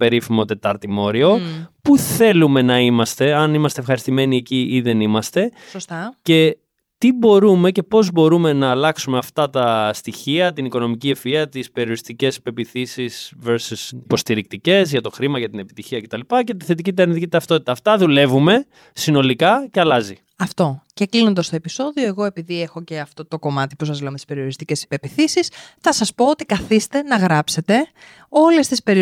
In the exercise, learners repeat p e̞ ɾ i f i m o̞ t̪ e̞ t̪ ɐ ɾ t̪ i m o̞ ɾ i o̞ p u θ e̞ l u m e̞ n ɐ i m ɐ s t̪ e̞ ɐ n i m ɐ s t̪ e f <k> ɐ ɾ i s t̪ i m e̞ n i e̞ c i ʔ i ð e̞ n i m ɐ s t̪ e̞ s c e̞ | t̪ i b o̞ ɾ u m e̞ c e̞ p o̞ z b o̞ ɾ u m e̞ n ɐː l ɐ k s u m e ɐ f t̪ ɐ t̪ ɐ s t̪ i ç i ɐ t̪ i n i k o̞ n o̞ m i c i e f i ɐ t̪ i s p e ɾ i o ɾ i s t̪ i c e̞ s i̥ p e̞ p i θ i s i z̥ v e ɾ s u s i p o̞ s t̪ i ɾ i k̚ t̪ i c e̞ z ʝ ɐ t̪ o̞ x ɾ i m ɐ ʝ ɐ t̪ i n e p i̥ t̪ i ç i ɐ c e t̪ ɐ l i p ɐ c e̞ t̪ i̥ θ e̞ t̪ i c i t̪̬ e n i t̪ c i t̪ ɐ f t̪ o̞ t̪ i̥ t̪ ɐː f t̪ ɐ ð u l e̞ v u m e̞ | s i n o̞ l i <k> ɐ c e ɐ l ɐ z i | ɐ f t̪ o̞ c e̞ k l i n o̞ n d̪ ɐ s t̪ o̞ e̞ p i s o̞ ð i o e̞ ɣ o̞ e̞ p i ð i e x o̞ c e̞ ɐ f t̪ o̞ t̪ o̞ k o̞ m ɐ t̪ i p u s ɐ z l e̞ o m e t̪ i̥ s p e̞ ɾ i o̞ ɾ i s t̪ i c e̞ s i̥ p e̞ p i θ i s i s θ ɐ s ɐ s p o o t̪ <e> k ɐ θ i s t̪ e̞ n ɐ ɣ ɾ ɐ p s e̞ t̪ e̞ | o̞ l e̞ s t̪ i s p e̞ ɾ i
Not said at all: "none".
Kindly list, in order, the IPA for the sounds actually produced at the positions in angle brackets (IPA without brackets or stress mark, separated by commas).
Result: x, k, i